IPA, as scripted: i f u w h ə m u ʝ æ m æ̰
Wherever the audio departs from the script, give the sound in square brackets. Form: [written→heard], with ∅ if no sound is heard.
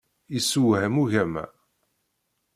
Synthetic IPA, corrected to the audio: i [f→s] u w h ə m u ʝ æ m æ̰